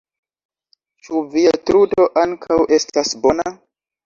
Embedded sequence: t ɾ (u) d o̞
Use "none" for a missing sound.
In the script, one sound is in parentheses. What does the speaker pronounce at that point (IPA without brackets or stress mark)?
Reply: u